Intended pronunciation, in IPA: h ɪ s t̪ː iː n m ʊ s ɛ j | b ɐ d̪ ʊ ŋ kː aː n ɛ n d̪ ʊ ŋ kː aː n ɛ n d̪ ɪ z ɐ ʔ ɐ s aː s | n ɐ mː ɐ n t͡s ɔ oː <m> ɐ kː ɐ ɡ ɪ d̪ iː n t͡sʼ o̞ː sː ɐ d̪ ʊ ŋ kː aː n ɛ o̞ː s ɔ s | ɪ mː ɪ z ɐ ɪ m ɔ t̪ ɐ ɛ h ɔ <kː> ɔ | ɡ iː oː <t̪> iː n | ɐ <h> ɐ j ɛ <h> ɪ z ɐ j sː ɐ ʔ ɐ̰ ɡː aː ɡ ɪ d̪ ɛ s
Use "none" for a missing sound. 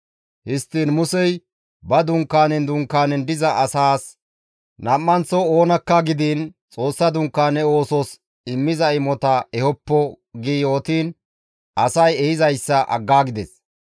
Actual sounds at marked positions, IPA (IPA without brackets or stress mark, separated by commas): n, pː, t̪, s, h